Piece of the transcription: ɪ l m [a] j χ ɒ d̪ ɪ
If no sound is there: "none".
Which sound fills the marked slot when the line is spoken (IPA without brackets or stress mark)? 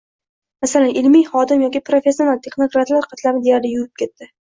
i